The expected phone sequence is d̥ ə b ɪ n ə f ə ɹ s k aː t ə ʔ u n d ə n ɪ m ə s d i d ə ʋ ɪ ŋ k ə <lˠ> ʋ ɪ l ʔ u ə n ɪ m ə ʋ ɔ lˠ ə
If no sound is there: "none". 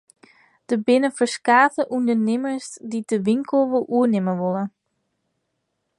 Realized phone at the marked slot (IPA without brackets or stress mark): lˠ